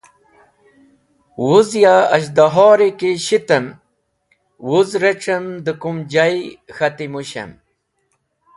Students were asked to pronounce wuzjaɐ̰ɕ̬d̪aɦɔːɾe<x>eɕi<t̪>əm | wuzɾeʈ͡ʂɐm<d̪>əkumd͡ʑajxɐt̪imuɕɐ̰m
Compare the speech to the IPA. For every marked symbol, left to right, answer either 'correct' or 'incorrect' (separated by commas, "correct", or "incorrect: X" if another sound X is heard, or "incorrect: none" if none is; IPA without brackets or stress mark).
incorrect: k, correct, correct